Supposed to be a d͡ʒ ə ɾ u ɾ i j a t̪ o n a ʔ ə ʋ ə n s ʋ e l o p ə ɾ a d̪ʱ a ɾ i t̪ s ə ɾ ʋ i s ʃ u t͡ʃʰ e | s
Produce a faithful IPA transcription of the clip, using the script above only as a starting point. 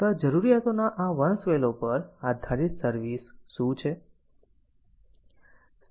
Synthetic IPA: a d͡ʒ ə ɾ u ɾ i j a t̪ o n a ʔ a ʋ ə n s ʋ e l o p ə ɾ a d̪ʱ a ɾ i t̪ s ə ɾ ʋ i s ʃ ũ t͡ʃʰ e | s